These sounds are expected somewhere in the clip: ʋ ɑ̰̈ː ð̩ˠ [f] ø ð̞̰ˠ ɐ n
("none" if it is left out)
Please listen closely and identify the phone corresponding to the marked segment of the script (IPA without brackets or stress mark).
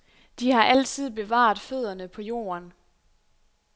f